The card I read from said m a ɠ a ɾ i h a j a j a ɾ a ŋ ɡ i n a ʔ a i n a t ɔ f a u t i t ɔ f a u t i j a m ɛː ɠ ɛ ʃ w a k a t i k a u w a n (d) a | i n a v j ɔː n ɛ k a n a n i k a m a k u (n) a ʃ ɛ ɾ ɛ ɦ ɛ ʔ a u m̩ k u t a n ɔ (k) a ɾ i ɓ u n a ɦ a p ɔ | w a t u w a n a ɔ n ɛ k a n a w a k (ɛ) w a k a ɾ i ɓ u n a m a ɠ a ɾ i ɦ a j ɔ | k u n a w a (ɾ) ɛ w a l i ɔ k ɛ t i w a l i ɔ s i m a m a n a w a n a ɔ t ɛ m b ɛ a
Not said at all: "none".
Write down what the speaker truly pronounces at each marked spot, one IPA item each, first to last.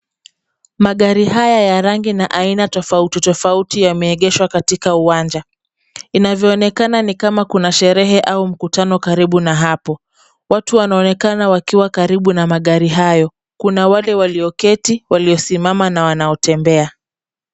d͡ʒ, n, k, i, l

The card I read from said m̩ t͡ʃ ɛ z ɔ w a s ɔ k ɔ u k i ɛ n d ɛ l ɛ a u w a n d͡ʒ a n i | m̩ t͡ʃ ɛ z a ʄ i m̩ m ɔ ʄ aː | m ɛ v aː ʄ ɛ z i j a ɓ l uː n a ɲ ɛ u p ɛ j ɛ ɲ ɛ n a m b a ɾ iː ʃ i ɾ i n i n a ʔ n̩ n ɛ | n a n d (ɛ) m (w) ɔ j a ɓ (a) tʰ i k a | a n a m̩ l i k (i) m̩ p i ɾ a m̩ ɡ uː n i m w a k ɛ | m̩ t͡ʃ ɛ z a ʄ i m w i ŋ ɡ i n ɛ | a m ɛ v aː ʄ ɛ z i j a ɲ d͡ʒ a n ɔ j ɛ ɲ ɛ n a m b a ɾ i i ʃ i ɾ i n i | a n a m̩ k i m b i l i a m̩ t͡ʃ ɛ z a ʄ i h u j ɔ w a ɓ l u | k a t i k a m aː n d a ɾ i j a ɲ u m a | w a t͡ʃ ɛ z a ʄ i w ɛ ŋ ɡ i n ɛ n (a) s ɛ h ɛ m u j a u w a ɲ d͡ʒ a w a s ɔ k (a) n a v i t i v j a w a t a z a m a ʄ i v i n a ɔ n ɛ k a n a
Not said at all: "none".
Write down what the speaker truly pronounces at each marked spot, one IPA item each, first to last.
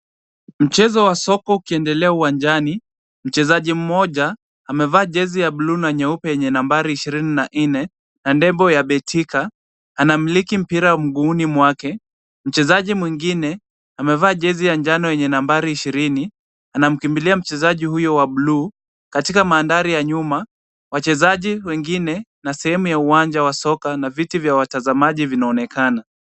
ɛ, b, ɛ, i, a, a

